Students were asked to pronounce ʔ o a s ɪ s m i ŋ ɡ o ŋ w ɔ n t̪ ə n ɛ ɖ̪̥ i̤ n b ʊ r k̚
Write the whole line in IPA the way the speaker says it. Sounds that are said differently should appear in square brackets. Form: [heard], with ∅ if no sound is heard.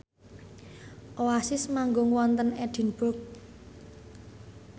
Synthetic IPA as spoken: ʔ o a s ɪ s m [a] ŋ ɡ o ŋ w ɔ n t̪ ə n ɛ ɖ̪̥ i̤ n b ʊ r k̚